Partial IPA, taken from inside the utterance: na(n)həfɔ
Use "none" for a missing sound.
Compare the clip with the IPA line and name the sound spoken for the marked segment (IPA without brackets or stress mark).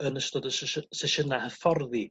none